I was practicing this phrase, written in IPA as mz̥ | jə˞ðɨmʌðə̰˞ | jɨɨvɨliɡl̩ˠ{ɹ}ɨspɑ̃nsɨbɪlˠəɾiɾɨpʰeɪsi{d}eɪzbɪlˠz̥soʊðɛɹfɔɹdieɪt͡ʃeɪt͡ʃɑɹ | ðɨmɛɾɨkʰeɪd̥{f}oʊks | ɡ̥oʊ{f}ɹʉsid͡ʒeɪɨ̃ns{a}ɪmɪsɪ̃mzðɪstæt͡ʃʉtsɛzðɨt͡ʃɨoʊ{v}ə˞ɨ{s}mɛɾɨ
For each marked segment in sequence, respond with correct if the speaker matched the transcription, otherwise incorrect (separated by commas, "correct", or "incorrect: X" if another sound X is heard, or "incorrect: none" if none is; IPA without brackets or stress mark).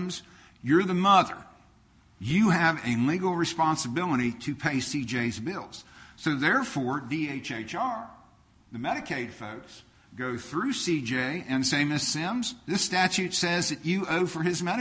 correct, incorrect: d͡ʒ, correct, incorrect: θ, incorrect: e, incorrect: f, incorrect: z